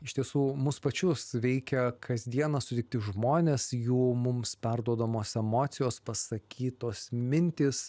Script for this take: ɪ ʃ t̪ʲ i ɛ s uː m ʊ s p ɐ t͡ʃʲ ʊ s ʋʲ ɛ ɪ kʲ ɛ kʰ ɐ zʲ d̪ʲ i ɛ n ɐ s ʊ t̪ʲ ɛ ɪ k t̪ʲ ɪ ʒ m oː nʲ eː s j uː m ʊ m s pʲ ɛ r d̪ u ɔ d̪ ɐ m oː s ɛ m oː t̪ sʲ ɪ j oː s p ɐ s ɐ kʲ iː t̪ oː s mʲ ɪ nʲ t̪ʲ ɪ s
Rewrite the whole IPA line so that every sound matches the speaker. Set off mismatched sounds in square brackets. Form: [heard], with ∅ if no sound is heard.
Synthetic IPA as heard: ɪ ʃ t̪ʲ i ɛ s uː m ʊ s p ɐ t͡ʃʲ ʊ s ʋʲ ɛ ɪ kʲ ɛ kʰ ɐ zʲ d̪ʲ i ɛ n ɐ s ʊ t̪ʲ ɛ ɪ k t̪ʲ ɪ ʒ m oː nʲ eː s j uː m ʊ m s pʲ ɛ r d̪ u ɔ d̪ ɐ m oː s ɛ m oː t̪ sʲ ɪ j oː s p ɐ s ɐ kʲ iː t̪ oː s mʲ ɪ nʲ t̪ʲ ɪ s